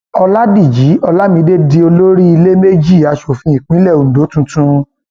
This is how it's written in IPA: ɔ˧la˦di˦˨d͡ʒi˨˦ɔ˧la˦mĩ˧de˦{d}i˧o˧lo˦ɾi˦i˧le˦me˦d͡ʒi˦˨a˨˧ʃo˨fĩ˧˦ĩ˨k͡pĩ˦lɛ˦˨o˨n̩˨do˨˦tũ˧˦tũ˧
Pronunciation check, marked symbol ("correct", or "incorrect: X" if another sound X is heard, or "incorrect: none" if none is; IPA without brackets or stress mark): correct